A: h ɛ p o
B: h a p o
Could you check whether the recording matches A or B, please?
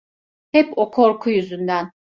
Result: A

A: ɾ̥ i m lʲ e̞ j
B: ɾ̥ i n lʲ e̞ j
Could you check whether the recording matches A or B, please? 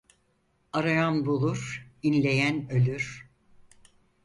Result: B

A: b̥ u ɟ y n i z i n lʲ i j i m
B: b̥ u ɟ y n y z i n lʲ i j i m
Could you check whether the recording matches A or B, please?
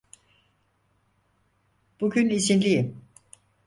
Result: A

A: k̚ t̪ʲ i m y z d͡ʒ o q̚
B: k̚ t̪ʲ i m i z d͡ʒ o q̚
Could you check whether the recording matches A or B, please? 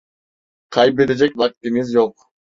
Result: B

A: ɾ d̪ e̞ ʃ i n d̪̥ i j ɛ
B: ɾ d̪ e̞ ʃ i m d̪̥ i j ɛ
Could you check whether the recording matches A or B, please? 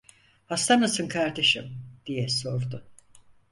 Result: B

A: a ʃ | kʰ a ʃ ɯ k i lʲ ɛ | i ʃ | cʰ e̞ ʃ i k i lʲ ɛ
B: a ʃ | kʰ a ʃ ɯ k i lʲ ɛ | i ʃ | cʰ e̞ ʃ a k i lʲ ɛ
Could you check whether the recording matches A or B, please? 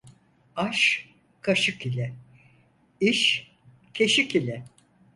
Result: A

